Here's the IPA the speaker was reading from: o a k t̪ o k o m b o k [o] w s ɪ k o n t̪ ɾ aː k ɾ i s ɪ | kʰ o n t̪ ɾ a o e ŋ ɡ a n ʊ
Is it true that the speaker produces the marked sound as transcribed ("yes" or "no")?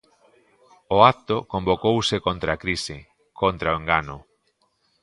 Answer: yes